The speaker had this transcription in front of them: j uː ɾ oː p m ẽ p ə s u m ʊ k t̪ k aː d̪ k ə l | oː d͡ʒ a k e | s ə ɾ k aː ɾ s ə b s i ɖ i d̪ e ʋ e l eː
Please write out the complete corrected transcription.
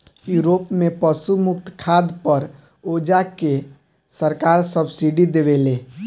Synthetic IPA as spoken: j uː ɾ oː p m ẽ p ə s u m ʊ k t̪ kʰ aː d̪ p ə ɾ | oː d͡ʒ a k e | s ə ɾ k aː ɾ s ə b s i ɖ i d̪ e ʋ e l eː